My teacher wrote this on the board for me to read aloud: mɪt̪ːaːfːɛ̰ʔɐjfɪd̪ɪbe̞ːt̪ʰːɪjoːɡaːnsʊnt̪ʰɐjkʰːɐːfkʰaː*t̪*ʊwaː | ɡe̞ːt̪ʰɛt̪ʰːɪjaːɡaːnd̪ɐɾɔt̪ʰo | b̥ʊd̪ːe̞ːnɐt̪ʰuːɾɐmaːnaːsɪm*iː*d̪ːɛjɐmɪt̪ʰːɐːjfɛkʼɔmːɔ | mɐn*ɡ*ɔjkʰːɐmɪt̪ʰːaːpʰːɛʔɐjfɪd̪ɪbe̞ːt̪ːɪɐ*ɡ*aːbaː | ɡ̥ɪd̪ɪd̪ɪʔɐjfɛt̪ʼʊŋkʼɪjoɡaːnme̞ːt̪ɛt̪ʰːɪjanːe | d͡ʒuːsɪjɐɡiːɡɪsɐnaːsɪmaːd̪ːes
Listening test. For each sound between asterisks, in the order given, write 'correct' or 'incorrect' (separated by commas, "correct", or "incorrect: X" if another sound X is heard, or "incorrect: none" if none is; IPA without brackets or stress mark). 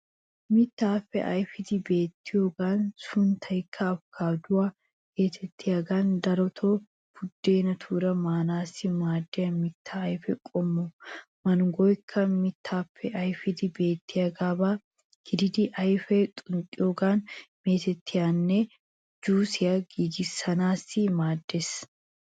incorrect: d̪, incorrect: aː, correct, correct